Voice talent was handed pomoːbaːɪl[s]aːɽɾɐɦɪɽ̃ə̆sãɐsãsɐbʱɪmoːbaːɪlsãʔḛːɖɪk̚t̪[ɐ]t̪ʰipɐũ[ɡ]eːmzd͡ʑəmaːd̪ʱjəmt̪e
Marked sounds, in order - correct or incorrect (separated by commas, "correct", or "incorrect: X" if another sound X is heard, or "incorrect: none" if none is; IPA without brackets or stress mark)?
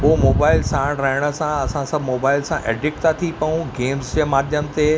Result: correct, incorrect: a, correct